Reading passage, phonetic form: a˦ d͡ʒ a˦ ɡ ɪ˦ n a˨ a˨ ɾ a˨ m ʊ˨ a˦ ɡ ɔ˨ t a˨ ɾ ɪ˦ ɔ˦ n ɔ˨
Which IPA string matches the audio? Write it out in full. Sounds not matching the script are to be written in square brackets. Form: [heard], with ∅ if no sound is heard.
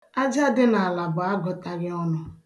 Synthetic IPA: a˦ d͡ʒ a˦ [d] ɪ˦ n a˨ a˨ [l] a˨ [b] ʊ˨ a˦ ɡ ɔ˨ t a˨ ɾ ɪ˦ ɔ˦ n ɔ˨